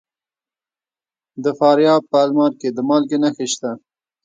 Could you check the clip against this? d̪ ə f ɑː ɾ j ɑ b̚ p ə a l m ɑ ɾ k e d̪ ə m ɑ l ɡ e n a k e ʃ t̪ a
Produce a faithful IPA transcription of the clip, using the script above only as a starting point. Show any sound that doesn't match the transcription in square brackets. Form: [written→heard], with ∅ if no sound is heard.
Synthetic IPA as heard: d̪ ə f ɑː ɾ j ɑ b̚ p ə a l m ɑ ɾ k e d̪ ə m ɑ l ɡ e n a [k→x] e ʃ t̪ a

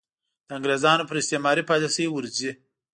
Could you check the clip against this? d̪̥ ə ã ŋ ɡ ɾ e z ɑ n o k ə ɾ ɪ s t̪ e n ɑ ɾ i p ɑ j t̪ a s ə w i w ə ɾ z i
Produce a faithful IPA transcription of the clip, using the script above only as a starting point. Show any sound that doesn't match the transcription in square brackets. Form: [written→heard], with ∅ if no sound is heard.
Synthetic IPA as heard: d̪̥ ə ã ŋ ɡ ɾ e z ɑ n o [k→p] ə ɾ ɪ s t̪ e [n→m] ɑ ɾ i p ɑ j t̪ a s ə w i w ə ɾ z i

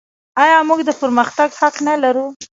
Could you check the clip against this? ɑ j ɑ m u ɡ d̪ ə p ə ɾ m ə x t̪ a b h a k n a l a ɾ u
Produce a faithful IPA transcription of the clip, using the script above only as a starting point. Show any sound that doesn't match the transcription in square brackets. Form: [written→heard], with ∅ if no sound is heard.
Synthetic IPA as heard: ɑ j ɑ m u ɡ d̪ ə p ə ɾ m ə x t̪ a [b→ɡ] h a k n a l a ɾ u

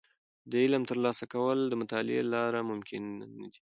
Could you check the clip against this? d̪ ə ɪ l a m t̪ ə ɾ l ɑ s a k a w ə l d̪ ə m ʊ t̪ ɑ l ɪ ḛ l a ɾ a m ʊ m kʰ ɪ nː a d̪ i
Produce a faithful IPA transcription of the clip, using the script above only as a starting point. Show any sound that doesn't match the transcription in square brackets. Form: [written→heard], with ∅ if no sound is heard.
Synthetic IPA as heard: d̪ ə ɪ l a m t̪ ə ɾ l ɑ s a k a w ə l d̪ ə m ʊ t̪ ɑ l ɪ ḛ l [a→ɑ] ɾ a m ʊ m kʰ ɪ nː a d̪ i

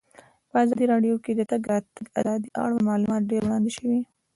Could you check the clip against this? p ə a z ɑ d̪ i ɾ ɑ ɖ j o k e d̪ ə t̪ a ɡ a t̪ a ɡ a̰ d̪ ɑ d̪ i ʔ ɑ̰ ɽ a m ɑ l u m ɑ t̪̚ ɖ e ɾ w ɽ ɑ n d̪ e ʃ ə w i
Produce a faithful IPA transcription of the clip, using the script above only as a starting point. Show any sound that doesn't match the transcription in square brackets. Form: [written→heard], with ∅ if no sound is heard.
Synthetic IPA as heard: p ə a z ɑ d̪ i ɾ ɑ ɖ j o k e d̪ ə t̪ a ɡ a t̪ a ɡ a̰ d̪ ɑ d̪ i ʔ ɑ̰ ɽ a m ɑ l u m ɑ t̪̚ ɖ e ɾ w ɽ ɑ n d̪ e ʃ ə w i

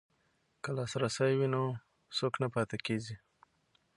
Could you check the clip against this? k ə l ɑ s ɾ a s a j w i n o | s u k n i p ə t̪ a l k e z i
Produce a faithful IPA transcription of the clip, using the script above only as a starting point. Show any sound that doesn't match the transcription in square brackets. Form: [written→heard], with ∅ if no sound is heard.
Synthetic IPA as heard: k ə l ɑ s ɾ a s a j w i n o | s [u→o] k n [i→a] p [ə→ɑ] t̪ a [l→∅] k e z i

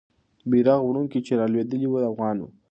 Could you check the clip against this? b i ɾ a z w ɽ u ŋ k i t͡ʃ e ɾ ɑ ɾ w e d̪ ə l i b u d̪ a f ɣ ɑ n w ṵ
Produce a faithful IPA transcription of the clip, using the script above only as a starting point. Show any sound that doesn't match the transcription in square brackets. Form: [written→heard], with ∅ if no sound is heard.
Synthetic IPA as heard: b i ɾ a [z→ɣ] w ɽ u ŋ k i t͡ʃ e ɾ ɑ [ɾ→l] w e d̪ ə l i [b→w] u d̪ a f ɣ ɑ n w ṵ

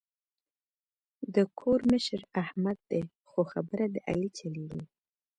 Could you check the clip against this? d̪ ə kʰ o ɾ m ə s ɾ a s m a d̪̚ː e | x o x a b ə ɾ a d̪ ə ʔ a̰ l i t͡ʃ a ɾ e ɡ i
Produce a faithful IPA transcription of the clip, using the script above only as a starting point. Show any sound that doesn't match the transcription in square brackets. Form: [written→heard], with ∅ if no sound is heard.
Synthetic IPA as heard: d̪ ə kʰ o ɾ m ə [s→ʃ] ɾ a [s→h] m a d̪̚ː e | x o x a b ə ɾ a d̪ ə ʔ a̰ l i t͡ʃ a [ɾ→l] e ɡ i

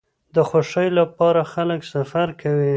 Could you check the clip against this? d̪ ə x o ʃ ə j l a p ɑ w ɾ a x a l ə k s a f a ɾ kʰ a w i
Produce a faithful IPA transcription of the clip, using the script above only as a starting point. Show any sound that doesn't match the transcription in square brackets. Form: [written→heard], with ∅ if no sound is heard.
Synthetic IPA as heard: d̪ ə x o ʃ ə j l a p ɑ [w→∅] ɾ a x a l ə k s a f a ɾ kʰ a w i

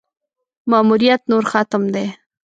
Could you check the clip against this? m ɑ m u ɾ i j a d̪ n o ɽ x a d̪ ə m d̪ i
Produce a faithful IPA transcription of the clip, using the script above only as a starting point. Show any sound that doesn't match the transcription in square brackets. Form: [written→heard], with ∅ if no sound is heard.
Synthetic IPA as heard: m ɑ m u ɾ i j a [d̪→t̪] n o [ɽ→ɾ] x a [d̪→t̪] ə m d̪ [i→e]

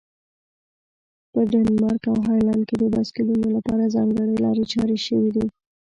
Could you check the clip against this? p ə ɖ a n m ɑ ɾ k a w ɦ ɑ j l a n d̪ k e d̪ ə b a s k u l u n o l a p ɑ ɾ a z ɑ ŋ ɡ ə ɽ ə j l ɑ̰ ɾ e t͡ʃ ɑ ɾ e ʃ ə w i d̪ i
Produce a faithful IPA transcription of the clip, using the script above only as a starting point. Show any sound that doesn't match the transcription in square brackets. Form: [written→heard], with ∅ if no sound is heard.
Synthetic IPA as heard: p ə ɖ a n m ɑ ɾ k a w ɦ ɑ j l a n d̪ k e d̪ ə b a s k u l u n o l a p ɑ ɾ a z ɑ ŋ ɡ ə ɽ ə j l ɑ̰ ɾ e t͡ʃ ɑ ɾ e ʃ ə w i d̪ i

